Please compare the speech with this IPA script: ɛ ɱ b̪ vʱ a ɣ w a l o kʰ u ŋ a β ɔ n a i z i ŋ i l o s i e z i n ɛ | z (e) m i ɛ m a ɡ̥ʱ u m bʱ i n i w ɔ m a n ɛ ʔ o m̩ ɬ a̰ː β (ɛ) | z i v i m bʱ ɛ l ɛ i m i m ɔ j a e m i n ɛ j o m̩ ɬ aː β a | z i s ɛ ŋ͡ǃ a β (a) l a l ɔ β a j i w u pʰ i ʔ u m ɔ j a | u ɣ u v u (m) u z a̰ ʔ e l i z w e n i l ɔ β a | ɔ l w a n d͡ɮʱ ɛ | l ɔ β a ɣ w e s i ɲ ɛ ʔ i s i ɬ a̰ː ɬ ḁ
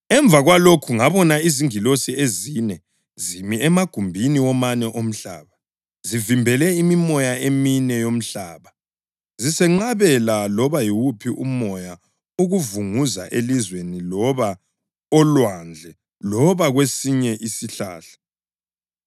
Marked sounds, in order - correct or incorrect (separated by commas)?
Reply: incorrect, incorrect, incorrect, incorrect